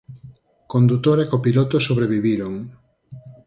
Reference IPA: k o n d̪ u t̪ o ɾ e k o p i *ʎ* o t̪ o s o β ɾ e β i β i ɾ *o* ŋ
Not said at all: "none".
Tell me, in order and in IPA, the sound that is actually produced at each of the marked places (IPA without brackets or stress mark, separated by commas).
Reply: l, o